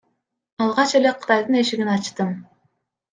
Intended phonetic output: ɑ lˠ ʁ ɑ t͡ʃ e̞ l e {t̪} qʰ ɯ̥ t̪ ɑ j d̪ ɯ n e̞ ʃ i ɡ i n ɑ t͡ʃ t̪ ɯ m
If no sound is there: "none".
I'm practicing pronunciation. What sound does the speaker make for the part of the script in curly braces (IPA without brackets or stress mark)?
none